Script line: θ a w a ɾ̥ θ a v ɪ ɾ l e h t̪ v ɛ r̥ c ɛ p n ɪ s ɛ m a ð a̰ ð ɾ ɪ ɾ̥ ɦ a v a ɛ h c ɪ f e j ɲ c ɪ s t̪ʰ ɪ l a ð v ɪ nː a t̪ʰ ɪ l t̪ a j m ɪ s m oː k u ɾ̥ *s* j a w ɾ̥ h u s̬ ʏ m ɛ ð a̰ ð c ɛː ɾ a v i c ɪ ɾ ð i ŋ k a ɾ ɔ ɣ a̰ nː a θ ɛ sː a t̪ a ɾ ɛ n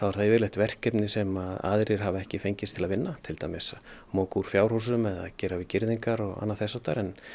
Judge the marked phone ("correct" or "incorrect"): incorrect